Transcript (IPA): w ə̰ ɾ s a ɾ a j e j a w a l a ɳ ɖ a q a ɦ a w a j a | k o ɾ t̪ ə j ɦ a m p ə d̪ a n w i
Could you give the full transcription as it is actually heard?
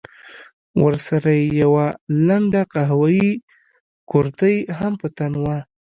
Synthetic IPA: w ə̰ ɾ s a ɾ a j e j a w a l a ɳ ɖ a q a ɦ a w a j i | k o ɾ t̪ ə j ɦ a m p ə t̪ a n w a